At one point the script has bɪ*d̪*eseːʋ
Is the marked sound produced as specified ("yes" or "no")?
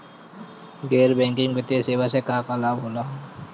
no